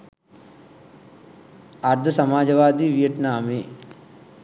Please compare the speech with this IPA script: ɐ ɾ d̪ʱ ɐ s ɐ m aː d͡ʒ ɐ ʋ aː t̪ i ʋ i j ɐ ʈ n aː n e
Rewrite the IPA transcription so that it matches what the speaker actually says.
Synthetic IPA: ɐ ɾ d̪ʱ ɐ s ɐ m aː d͡ʒ ɐ ʋ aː d̪ i ʋ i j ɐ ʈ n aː m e